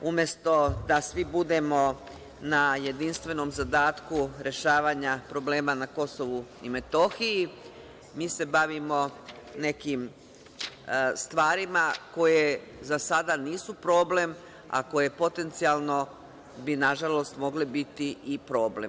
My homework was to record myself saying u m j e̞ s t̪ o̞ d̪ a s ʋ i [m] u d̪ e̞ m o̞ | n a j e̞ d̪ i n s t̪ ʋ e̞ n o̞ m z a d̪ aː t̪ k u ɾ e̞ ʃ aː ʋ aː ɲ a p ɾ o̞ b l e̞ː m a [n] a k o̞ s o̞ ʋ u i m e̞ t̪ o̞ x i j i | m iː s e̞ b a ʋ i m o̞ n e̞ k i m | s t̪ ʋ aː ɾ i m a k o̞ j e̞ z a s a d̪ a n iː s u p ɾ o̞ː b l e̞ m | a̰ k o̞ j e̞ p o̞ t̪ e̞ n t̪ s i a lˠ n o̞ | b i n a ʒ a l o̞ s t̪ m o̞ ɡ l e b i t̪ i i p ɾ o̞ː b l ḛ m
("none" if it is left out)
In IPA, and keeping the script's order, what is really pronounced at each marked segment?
b, n

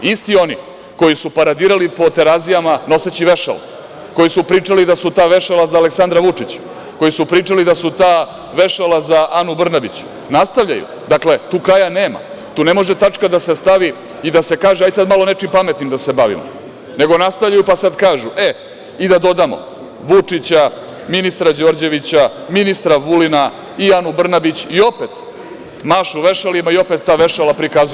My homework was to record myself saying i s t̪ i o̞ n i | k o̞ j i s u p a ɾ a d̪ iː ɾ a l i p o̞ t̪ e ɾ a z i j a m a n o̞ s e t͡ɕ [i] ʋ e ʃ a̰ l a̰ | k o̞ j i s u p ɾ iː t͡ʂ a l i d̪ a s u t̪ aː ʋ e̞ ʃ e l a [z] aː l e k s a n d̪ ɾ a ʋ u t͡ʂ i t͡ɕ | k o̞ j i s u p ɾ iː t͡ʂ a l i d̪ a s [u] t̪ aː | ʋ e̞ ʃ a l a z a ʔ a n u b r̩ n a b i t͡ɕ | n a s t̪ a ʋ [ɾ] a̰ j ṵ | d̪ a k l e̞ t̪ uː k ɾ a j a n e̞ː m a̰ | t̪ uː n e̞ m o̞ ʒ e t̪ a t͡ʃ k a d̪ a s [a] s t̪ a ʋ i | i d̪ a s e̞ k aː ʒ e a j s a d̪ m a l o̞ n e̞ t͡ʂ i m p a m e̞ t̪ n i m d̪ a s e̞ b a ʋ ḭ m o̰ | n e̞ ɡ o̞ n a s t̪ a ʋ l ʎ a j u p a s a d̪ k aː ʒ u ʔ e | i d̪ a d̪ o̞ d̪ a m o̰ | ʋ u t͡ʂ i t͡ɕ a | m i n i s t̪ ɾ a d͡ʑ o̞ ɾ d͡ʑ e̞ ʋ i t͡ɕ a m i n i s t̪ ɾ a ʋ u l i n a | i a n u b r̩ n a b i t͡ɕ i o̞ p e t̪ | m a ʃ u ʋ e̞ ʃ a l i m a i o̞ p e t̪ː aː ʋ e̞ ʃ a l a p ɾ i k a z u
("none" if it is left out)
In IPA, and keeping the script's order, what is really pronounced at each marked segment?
i, z, u, ʎ, e

